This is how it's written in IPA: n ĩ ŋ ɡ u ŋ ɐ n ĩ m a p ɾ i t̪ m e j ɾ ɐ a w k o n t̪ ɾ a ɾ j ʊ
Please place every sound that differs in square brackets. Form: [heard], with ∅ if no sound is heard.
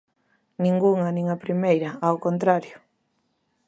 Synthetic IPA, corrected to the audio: n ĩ ŋ ɡ u ŋ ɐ n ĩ [ŋ] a p ɾ i [∅] m e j ɾ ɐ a w k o n t̪ ɾ a ɾ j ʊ